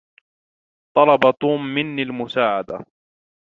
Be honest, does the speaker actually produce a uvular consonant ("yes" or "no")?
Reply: no